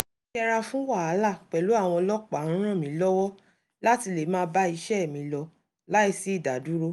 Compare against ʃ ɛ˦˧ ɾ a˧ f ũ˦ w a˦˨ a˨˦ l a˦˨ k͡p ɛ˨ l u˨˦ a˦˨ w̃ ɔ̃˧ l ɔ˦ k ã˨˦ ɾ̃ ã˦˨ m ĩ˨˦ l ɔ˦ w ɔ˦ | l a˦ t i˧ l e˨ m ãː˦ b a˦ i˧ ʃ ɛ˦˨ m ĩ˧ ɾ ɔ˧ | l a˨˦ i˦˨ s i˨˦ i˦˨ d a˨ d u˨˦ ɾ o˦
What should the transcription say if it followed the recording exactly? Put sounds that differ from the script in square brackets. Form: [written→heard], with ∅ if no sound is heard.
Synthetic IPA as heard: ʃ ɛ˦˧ ɾ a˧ f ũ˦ w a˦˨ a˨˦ l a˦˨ k͡p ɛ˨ l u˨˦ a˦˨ w̃ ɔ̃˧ l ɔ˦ [k→k͡p] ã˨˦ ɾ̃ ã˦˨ m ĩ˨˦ l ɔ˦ w ɔ˦ | l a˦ t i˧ l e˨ m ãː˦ b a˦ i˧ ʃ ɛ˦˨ m ĩ˧ [ɾ→l] ɔ˧ | l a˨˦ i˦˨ s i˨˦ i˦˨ d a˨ d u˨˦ ɾ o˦